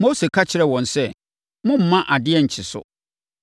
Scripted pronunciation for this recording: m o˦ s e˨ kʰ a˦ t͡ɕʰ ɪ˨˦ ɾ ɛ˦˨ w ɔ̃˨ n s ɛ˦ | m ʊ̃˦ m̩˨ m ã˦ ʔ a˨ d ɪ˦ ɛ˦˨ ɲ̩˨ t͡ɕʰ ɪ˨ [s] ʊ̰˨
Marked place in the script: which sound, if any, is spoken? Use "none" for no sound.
s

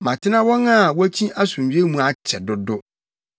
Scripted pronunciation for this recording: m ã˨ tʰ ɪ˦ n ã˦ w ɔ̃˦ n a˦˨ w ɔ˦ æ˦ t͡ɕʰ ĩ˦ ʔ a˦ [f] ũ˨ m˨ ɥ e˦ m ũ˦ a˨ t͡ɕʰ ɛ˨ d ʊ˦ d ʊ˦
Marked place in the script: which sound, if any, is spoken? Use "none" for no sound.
s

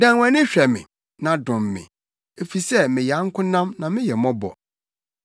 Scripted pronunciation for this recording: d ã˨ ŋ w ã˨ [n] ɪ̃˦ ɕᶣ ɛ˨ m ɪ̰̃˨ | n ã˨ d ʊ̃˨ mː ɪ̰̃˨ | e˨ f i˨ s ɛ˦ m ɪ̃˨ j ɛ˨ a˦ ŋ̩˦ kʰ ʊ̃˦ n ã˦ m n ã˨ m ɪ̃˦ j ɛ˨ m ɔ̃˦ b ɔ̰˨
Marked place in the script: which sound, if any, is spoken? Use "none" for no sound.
n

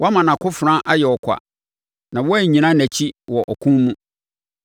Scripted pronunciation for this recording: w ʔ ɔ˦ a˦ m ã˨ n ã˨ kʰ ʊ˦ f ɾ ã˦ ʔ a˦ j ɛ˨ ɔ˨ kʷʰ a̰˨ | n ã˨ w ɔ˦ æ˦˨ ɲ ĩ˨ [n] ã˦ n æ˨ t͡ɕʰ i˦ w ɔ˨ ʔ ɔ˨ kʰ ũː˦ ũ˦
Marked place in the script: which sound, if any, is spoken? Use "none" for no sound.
n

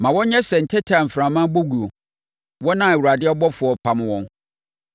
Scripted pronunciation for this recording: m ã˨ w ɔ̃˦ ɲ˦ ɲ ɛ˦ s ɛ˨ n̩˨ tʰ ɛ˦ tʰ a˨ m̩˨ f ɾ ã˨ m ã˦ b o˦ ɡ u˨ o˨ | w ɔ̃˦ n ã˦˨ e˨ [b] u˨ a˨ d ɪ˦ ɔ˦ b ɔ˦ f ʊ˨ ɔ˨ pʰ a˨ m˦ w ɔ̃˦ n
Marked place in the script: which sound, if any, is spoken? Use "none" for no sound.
w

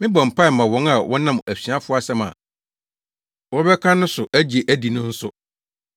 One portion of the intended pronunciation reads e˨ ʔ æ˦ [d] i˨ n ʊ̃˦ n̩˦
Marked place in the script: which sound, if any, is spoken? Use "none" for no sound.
d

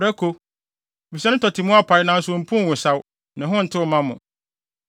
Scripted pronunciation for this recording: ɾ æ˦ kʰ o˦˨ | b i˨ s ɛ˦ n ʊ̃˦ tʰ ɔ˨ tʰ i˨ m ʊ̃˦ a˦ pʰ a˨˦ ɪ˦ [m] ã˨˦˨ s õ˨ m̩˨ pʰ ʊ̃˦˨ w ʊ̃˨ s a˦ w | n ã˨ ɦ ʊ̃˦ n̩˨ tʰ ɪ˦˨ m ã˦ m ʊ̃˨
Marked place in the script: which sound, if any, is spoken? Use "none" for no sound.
n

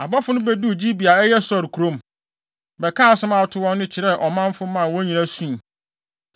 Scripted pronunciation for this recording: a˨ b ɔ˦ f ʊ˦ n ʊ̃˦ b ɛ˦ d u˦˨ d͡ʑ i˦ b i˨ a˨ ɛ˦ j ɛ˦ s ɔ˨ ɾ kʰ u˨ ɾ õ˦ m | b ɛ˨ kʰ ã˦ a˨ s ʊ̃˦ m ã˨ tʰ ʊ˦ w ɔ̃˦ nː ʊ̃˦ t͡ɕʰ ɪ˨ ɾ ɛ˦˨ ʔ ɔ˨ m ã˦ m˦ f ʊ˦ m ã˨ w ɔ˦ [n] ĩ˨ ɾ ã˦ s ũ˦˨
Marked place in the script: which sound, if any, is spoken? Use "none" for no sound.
ɲ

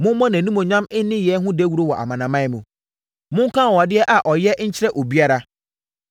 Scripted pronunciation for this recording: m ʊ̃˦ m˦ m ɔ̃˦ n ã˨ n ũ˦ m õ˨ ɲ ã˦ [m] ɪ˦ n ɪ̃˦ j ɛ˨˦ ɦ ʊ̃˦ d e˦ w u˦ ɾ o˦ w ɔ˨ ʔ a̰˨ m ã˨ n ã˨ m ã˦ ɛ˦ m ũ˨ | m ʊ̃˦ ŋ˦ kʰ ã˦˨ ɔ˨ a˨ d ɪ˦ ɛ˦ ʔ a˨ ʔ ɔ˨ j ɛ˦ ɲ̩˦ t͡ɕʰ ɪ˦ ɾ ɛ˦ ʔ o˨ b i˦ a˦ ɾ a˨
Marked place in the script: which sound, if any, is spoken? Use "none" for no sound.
m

